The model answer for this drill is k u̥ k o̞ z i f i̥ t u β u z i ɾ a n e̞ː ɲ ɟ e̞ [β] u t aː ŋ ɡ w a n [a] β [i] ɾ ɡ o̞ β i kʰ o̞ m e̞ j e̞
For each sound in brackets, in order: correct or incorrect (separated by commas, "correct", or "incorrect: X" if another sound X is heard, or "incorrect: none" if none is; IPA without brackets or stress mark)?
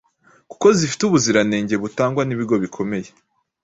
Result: correct, incorrect: i, correct